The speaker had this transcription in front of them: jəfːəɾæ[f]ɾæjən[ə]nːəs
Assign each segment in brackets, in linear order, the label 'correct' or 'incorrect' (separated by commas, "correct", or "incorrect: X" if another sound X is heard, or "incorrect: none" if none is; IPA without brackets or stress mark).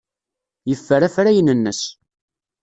correct, correct